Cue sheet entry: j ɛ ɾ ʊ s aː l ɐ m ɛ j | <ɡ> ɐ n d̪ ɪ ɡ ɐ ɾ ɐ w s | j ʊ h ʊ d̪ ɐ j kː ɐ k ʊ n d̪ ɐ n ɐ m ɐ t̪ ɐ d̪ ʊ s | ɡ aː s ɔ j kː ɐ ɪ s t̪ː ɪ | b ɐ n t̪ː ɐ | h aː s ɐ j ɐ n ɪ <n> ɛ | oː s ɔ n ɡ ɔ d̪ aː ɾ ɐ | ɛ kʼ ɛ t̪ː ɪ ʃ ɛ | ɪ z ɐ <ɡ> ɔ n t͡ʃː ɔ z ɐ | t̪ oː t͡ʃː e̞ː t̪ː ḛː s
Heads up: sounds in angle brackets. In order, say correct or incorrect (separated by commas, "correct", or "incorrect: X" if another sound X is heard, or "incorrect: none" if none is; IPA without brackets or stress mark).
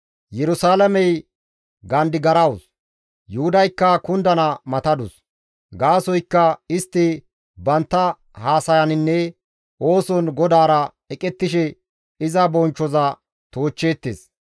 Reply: correct, incorrect: nː, incorrect: b